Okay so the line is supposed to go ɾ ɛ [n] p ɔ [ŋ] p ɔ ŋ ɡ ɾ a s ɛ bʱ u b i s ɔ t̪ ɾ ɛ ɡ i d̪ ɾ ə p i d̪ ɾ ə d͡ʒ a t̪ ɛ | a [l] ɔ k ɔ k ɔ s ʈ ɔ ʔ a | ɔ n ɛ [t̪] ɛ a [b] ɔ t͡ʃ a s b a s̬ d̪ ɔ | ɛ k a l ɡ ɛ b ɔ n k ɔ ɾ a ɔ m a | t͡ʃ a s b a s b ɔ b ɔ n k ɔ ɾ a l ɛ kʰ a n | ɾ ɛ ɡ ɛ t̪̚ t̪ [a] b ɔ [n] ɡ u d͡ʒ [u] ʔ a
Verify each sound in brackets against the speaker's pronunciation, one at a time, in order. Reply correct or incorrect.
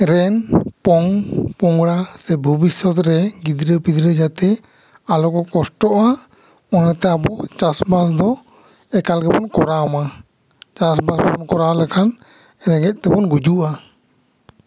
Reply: correct, correct, correct, correct, correct, incorrect, correct, correct

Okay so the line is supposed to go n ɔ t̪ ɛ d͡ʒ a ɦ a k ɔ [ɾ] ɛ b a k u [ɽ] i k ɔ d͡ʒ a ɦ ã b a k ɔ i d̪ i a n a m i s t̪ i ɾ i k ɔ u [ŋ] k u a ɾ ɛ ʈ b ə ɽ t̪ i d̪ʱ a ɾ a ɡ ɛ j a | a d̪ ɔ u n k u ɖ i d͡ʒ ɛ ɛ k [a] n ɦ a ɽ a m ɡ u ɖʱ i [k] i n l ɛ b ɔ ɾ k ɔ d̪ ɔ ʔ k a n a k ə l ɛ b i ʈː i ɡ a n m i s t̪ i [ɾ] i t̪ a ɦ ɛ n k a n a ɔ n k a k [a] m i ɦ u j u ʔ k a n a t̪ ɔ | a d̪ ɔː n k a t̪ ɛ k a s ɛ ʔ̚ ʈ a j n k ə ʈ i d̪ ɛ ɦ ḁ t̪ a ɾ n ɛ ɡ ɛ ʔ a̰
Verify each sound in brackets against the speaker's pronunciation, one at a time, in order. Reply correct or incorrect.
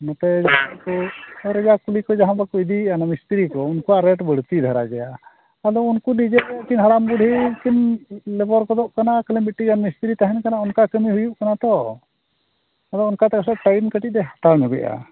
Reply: correct, incorrect, incorrect, incorrect, correct, correct, incorrect

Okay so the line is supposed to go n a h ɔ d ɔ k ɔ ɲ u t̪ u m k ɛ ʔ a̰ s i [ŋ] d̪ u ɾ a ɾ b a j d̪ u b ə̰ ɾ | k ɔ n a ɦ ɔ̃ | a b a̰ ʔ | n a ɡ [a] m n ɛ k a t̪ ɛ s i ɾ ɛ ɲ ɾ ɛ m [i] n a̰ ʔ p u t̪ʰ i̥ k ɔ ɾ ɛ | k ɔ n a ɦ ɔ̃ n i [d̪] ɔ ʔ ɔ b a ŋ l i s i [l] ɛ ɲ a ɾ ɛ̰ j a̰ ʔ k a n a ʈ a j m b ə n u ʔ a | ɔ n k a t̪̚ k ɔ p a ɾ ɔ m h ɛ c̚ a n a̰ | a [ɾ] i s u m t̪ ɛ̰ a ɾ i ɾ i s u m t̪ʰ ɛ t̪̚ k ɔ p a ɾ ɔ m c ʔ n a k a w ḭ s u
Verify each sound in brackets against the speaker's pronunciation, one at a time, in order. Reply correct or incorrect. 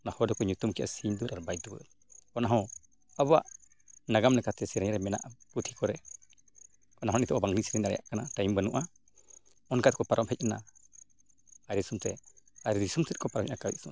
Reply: incorrect, correct, incorrect, incorrect, incorrect, correct

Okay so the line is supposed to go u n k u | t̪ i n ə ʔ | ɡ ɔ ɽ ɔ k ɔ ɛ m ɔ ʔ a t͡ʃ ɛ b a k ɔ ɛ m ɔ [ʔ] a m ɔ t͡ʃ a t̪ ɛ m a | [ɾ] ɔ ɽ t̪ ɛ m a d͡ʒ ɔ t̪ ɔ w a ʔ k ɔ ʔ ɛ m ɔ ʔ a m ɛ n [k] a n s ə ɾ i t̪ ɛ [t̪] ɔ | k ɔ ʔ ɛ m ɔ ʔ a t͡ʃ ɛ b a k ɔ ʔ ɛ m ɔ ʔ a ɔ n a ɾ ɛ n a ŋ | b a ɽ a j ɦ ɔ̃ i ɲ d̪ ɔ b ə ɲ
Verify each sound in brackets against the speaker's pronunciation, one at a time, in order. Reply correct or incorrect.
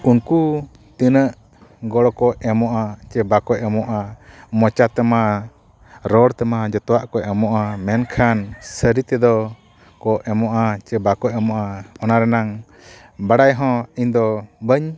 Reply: correct, correct, incorrect, incorrect

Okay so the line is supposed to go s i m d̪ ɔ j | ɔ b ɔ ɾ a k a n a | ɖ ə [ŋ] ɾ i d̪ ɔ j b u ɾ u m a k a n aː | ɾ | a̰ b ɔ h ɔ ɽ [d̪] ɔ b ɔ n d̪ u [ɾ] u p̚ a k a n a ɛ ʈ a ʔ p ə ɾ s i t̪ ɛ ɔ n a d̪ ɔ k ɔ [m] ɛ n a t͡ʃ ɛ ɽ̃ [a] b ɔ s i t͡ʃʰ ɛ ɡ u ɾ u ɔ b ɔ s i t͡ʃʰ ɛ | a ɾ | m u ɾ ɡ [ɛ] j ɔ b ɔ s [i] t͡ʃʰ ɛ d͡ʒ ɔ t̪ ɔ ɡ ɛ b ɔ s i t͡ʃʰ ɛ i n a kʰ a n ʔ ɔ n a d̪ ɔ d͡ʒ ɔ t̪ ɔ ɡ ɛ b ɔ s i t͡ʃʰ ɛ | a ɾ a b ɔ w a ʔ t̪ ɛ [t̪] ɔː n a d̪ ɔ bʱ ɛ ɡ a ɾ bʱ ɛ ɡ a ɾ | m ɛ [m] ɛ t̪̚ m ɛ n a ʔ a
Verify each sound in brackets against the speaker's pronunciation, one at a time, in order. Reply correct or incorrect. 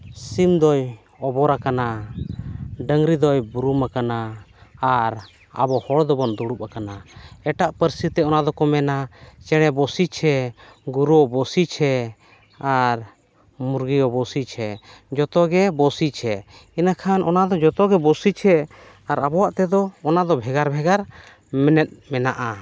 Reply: correct, correct, incorrect, correct, incorrect, incorrect, correct, incorrect, incorrect

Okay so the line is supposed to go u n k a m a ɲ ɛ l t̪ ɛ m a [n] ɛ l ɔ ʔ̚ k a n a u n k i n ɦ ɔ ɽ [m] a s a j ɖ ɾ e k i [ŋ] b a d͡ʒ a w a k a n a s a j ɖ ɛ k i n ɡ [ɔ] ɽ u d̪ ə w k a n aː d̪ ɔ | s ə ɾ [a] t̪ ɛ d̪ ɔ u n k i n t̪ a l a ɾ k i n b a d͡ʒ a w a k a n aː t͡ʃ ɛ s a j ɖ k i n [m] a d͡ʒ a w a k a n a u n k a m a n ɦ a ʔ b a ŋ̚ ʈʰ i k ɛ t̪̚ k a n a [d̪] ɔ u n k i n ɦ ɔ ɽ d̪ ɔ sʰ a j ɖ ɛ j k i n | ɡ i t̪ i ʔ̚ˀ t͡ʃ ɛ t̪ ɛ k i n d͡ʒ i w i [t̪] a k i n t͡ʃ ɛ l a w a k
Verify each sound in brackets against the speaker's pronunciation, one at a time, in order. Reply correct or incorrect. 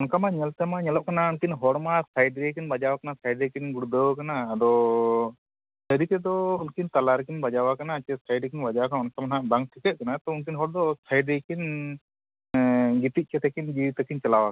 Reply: incorrect, correct, incorrect, incorrect, incorrect, incorrect, incorrect, correct

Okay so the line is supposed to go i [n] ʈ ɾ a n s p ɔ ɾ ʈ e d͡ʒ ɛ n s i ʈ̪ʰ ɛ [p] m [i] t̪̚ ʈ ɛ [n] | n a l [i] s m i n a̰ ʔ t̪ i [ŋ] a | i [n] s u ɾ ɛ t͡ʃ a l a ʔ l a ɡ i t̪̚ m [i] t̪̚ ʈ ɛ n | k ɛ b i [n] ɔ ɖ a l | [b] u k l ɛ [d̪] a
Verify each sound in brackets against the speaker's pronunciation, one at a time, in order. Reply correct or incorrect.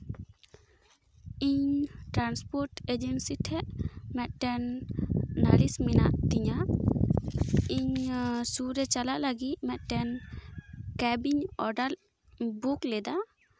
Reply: incorrect, incorrect, incorrect, correct, correct, incorrect, incorrect, incorrect, incorrect, correct, correct

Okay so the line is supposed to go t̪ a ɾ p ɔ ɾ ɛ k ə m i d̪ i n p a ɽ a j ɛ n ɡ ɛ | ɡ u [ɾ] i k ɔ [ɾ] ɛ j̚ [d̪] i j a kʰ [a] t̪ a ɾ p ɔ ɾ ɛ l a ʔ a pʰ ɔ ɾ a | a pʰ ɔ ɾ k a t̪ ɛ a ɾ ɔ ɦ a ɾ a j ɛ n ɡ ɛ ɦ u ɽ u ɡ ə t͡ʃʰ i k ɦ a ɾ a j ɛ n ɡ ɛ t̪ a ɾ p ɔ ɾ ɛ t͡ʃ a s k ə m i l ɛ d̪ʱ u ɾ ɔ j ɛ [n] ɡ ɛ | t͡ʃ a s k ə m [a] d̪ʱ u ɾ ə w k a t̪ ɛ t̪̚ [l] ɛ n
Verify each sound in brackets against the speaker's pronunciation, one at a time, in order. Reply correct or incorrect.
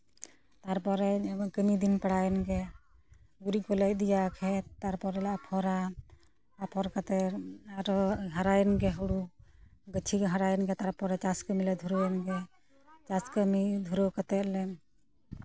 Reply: correct, incorrect, correct, incorrect, correct, incorrect, correct

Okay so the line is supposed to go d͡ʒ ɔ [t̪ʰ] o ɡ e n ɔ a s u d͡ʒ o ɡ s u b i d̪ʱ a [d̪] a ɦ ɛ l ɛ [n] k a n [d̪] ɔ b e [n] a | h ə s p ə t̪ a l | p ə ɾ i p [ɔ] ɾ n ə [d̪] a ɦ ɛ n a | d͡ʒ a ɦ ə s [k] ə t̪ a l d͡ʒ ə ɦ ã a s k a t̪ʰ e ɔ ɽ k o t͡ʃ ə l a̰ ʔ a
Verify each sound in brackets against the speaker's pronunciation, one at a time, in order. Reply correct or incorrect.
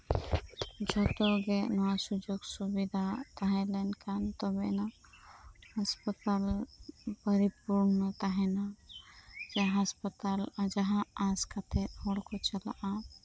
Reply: incorrect, incorrect, correct, incorrect, correct, incorrect, incorrect, incorrect

